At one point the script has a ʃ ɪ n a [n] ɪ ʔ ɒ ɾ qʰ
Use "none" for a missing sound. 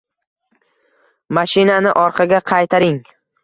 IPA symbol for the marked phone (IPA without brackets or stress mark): n